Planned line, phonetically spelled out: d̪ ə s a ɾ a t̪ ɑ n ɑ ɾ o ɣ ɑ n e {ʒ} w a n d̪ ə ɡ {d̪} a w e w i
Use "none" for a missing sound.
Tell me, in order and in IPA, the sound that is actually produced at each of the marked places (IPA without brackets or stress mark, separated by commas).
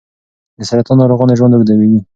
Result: ʒ, d̪